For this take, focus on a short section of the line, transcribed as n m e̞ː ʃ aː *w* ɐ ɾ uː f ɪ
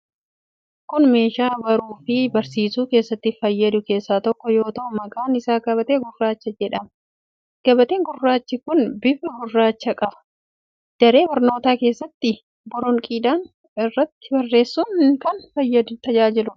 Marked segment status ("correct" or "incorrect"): incorrect